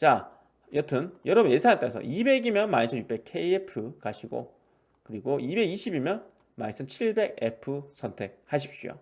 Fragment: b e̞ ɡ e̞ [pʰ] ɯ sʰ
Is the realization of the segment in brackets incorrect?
no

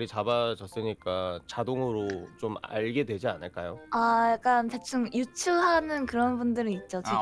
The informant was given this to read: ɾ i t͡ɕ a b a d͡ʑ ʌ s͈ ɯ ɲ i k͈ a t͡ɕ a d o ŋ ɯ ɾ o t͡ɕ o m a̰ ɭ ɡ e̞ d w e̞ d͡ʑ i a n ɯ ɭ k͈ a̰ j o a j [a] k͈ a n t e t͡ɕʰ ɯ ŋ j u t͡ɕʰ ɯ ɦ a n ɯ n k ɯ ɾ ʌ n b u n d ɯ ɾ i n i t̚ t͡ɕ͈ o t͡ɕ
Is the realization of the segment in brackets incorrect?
no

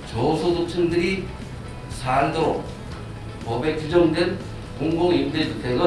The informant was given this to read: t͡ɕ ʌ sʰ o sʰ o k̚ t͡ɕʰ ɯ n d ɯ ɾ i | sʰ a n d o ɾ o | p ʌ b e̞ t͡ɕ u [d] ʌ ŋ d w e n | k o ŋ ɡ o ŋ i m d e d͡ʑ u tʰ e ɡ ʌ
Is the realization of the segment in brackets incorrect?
yes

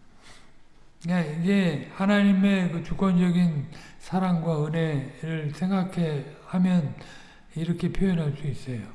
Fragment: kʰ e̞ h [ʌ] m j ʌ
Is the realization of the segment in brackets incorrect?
yes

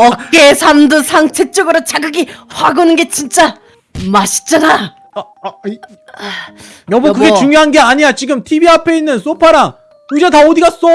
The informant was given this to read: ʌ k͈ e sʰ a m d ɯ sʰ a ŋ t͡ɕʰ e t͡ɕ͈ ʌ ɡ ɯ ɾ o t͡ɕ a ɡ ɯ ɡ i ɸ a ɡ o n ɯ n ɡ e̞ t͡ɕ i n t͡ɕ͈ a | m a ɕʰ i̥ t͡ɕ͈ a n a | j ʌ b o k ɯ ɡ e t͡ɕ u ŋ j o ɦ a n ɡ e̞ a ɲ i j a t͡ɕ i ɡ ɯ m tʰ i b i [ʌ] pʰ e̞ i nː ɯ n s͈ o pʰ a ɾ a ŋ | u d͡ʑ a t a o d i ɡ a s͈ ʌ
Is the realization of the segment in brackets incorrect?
yes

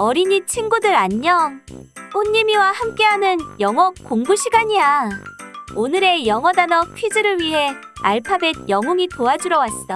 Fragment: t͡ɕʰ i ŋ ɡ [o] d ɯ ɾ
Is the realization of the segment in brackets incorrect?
yes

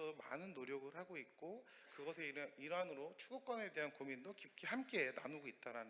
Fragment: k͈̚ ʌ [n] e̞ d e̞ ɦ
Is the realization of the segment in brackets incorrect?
no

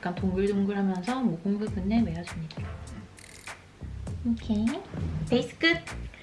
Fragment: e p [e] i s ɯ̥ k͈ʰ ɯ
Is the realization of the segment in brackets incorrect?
no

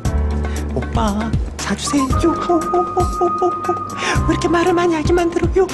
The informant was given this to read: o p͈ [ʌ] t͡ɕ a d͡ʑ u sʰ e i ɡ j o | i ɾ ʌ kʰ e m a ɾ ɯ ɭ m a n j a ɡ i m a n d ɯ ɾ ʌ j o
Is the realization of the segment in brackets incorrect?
yes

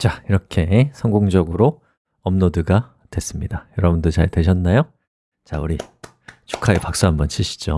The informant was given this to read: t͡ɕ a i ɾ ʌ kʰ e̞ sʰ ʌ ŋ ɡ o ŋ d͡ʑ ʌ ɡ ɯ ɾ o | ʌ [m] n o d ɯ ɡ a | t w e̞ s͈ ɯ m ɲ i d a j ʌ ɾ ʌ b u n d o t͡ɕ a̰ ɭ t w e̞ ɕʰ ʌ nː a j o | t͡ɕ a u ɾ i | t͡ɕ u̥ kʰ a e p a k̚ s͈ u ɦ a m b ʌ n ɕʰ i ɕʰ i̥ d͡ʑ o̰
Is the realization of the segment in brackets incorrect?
no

